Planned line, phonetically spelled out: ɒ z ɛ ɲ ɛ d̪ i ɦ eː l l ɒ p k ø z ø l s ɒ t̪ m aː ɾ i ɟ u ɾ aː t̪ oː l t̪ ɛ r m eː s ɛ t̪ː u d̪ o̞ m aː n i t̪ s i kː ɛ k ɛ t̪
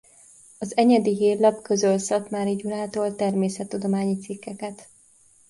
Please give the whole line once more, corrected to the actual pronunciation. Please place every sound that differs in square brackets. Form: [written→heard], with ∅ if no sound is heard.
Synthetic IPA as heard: ɒ z ɛ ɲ ɛ d̪ i ɦ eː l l ɒ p k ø z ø l s ɒ t̪ m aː ɾ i ɟ u ɾ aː t̪ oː l t̪ ɛ r m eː s ɛ t̪ː u d̪ o̞ m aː [n→ɲ] i t̪ s i kː ɛ k ɛ t̪